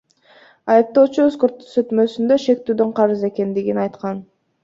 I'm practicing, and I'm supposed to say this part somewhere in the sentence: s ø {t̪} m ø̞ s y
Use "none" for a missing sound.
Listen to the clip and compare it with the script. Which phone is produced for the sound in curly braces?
t̪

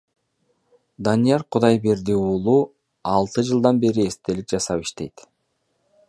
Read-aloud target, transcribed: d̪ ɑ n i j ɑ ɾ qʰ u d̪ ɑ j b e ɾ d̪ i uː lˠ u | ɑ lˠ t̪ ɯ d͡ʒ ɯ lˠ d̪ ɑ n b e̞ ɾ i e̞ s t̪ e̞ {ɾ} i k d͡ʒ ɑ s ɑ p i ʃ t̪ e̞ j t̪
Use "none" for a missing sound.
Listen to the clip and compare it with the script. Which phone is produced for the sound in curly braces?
l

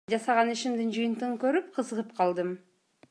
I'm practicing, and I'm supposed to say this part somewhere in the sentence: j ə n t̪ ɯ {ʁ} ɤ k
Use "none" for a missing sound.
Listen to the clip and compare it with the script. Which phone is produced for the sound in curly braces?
ʁ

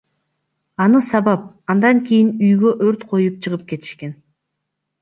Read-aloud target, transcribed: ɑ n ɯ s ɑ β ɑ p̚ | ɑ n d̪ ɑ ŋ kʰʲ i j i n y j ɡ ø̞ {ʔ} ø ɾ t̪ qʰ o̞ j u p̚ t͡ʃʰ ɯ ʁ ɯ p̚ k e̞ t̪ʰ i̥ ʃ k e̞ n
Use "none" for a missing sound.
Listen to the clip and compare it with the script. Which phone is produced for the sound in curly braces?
ʔ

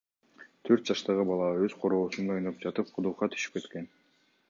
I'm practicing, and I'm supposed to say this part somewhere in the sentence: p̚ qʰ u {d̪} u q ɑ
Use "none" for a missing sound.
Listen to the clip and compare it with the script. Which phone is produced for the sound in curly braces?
d̪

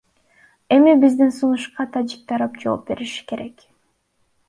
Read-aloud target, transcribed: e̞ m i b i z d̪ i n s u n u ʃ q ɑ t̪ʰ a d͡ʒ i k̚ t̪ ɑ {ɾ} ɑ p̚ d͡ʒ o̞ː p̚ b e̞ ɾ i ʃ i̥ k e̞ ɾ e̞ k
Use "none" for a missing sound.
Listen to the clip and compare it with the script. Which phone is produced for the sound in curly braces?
ɾ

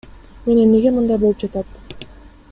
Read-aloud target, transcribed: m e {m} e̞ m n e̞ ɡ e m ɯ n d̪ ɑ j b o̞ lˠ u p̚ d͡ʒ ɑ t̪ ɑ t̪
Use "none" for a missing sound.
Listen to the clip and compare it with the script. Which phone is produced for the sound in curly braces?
n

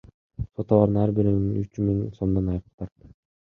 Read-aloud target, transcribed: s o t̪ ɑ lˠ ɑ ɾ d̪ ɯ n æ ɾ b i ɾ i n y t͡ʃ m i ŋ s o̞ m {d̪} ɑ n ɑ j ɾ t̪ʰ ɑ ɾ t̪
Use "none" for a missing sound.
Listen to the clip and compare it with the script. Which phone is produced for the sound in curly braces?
d̪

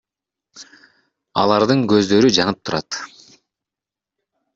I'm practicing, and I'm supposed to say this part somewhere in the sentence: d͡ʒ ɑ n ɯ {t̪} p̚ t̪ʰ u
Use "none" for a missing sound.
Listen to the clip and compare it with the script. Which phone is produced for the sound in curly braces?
none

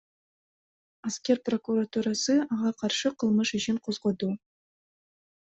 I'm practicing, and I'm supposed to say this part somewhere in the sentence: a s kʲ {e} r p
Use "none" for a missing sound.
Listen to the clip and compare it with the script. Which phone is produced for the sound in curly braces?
e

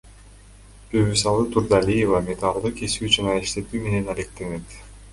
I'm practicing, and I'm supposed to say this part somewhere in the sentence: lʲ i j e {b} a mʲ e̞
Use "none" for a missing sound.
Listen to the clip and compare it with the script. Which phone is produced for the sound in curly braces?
v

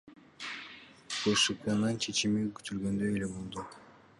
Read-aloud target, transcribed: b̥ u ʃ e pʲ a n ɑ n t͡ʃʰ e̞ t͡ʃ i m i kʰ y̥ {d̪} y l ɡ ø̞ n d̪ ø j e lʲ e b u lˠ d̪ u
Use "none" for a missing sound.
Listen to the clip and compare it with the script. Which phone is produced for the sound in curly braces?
t̪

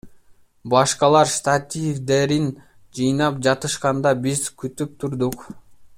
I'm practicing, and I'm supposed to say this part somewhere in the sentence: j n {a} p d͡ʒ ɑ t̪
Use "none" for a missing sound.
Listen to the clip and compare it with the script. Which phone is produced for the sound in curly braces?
ɑ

